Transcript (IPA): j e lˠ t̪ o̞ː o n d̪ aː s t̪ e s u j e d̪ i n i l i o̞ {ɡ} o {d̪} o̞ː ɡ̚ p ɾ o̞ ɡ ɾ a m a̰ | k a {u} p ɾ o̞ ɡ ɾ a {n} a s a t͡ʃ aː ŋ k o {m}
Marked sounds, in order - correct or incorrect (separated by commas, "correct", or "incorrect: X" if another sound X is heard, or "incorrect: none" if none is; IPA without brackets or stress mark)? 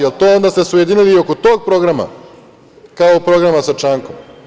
incorrect: k, incorrect: t̪, incorrect: o, incorrect: m, correct